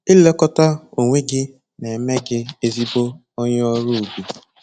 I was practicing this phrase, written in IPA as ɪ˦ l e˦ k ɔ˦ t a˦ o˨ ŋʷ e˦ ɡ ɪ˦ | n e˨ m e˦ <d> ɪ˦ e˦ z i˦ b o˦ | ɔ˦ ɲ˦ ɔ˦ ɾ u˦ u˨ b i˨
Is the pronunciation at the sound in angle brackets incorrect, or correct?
incorrect